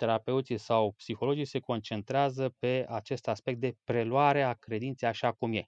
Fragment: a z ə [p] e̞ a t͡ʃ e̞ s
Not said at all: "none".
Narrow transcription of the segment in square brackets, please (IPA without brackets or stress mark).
p